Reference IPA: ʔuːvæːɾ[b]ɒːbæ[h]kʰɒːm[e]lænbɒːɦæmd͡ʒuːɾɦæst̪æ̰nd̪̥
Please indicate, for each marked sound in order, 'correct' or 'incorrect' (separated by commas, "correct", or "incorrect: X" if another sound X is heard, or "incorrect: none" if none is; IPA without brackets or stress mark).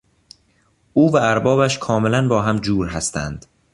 correct, incorrect: ʃ, correct